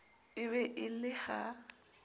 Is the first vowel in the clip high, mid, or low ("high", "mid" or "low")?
high